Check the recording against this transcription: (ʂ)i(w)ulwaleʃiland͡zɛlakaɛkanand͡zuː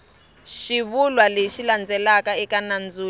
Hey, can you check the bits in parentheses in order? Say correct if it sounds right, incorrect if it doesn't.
incorrect, incorrect

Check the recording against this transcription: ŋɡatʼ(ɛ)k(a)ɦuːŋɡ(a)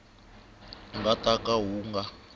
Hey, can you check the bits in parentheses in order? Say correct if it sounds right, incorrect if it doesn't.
incorrect, correct, correct

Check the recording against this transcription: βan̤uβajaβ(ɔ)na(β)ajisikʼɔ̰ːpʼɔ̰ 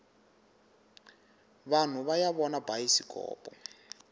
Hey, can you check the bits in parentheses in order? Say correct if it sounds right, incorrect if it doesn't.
correct, incorrect

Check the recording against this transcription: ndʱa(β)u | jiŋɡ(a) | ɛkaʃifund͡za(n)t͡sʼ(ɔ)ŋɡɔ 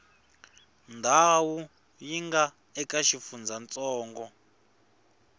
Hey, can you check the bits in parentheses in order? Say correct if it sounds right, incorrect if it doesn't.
incorrect, correct, correct, incorrect

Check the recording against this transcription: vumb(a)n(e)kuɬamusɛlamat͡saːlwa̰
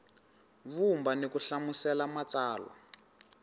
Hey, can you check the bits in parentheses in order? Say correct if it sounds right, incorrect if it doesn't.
correct, correct

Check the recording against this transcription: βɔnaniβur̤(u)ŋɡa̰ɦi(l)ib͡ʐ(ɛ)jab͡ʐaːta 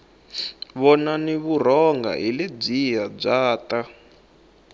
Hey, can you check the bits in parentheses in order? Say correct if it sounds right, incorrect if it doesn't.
incorrect, correct, incorrect

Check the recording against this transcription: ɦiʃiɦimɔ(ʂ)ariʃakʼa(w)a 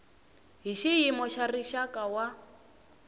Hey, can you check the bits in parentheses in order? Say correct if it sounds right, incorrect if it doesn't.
incorrect, correct

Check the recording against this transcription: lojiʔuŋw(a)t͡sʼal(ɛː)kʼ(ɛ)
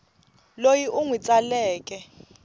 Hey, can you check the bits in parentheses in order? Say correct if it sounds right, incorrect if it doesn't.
incorrect, correct, correct

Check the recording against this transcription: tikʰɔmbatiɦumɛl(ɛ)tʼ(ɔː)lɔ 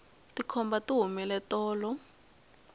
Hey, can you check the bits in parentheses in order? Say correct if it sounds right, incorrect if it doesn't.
correct, correct

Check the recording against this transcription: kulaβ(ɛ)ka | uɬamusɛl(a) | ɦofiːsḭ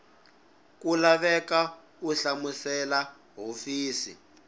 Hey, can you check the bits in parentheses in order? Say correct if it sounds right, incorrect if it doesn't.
correct, correct

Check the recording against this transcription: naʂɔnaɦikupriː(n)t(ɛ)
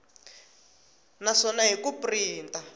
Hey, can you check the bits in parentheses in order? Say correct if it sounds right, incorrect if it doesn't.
correct, incorrect

